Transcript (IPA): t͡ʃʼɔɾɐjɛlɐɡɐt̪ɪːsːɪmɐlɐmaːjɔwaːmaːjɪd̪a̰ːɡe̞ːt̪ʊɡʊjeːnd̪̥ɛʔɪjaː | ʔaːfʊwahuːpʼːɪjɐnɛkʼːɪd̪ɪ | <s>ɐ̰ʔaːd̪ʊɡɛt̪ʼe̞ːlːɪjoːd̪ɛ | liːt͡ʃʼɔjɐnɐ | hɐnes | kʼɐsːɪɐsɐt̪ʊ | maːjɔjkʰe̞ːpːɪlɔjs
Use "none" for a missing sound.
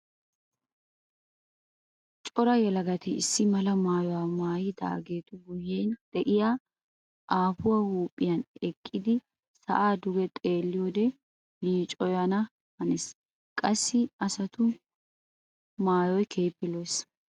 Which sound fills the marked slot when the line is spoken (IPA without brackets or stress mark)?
s